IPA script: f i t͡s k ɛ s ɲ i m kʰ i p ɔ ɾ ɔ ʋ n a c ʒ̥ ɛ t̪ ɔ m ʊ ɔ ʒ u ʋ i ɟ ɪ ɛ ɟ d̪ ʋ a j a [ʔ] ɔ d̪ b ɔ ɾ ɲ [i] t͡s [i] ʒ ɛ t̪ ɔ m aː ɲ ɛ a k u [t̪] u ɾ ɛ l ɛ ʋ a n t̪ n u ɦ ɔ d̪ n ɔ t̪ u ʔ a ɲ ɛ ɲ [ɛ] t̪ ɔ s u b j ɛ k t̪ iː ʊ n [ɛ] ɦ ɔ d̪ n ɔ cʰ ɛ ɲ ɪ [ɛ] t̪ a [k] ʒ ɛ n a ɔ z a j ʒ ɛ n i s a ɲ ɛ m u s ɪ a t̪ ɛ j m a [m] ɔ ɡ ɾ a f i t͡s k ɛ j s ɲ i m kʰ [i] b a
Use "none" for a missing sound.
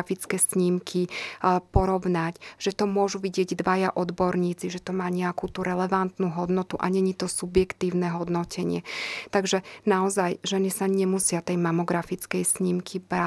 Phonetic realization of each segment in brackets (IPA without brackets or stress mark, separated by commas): ʔ, iː, i, t̪, i, ɛ, ɛ, ɡ, m, i